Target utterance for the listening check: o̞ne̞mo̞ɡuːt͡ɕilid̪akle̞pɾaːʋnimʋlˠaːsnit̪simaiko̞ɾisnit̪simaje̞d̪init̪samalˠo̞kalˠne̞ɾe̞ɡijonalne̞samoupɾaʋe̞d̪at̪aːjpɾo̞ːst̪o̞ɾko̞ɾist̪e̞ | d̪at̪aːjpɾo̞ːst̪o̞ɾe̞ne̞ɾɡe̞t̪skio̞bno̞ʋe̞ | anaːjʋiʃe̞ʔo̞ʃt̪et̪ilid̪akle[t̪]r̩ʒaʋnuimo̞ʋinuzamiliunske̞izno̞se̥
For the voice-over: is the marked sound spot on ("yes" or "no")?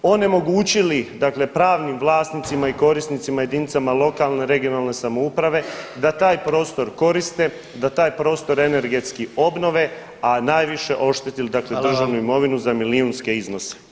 no